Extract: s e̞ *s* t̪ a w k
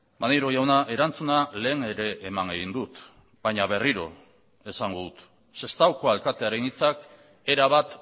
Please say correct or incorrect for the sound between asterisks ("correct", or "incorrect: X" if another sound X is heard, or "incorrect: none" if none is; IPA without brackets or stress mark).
correct